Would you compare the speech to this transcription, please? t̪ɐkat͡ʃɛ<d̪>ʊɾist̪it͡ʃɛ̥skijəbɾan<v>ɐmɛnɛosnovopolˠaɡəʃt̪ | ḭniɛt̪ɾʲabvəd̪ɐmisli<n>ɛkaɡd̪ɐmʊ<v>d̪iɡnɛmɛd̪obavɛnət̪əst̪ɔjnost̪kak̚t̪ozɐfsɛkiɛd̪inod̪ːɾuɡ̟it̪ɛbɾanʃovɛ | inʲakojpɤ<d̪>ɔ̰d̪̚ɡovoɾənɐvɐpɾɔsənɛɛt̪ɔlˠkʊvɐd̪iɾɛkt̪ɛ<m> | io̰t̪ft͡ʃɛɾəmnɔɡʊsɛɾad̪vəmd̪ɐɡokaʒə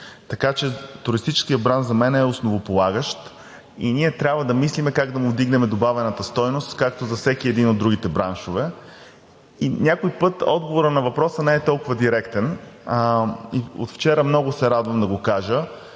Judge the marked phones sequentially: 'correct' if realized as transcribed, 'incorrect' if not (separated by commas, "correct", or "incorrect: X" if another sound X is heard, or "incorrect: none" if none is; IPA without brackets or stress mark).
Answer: incorrect: t̪, incorrect: z, incorrect: m, correct, incorrect: t̪, incorrect: n